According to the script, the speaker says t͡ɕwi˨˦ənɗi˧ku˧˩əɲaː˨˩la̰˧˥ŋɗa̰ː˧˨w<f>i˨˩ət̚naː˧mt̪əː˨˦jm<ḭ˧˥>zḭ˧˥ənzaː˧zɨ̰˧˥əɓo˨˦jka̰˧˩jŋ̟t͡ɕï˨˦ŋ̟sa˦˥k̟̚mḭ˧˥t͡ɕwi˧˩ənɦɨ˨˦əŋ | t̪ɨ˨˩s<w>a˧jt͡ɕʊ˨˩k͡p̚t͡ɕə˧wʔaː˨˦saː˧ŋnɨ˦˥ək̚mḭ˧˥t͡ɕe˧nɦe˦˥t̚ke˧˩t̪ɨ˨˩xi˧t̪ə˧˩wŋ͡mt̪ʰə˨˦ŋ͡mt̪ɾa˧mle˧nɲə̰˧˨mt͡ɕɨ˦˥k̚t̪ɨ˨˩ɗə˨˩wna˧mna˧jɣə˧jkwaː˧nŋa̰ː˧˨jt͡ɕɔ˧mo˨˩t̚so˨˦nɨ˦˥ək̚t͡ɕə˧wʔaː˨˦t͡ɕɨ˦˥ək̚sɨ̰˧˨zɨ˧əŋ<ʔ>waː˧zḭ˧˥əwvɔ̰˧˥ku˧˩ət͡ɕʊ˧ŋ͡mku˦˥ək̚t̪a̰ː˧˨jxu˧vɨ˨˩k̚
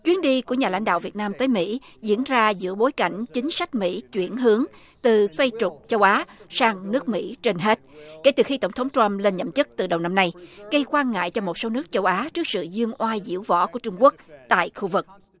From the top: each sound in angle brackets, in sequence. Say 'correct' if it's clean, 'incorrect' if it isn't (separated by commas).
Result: incorrect, correct, correct, correct